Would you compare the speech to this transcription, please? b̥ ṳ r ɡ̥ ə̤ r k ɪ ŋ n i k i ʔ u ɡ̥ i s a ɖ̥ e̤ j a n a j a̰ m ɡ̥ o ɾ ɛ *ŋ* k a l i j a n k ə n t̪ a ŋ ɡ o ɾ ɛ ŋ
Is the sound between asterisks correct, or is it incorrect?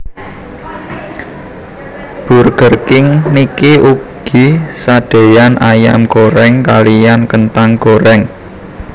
correct